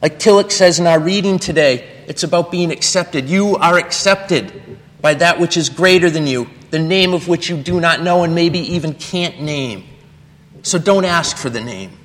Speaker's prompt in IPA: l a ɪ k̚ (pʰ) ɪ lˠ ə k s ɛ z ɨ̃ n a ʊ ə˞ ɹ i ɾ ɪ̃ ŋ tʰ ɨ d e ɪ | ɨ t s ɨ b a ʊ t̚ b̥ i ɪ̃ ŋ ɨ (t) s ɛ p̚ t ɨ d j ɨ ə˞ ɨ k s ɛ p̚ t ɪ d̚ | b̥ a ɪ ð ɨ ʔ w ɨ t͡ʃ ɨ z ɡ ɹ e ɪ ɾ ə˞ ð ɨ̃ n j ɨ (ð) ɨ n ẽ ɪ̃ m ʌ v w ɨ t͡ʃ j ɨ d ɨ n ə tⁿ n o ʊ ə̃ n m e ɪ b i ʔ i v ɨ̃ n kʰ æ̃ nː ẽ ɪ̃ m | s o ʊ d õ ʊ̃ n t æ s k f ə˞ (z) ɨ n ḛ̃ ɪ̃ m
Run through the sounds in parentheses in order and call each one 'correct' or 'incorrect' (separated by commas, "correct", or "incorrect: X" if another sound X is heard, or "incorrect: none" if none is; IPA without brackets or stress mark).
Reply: incorrect: tʰ, incorrect: k, correct, incorrect: ð